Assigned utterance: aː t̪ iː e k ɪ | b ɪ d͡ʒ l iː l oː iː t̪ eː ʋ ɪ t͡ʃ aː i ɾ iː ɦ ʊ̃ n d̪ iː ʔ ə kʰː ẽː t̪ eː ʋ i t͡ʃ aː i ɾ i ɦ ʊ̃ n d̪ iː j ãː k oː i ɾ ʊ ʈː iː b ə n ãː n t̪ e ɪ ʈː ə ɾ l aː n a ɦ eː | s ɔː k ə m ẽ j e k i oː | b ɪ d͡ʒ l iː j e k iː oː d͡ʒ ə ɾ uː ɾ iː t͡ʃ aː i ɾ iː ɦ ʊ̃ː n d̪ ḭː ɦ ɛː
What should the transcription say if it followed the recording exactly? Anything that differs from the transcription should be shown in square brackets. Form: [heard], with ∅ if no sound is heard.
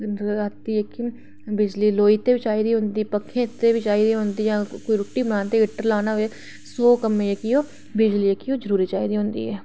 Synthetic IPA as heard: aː t̪ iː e k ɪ | b ɪ d͡ʒ l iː l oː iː t̪ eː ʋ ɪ t͡ʃ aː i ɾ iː ɦ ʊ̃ n d̪ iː [p] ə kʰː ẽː t̪ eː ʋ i t͡ʃ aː i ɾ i ɦ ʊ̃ n d̪ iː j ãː k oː i ɾ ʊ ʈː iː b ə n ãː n t̪ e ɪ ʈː ə ɾ l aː n a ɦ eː | s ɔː k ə m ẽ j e k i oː | b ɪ d͡ʒ l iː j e k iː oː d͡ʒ ə ɾ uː ɾ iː t͡ʃ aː i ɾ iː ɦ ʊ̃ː n d̪ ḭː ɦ ɛː